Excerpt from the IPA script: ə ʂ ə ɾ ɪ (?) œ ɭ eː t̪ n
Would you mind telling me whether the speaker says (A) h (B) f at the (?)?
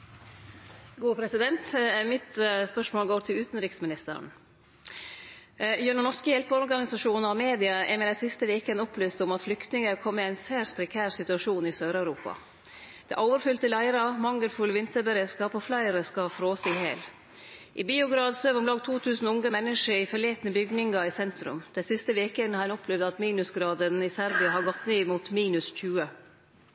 B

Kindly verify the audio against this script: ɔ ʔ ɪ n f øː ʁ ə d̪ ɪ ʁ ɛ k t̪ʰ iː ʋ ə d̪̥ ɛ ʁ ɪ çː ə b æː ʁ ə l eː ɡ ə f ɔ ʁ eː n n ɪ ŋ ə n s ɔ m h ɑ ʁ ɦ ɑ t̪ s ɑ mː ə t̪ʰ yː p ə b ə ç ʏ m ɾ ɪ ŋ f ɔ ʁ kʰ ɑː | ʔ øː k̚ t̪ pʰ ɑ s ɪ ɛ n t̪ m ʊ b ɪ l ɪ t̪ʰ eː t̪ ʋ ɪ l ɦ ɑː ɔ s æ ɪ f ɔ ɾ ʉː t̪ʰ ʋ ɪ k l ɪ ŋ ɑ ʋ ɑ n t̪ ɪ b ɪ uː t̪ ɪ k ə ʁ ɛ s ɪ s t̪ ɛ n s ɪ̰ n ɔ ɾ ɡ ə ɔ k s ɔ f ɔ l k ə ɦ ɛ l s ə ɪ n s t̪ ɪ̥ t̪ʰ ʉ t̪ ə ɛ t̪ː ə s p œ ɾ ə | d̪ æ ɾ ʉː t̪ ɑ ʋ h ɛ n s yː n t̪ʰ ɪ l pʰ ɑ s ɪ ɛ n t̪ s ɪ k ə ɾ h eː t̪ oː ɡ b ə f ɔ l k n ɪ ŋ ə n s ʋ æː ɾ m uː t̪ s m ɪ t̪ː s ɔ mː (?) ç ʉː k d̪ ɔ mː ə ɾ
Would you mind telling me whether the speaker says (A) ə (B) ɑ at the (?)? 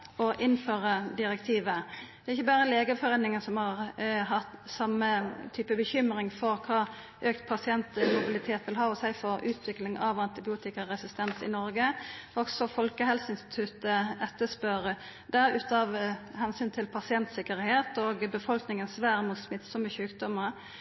A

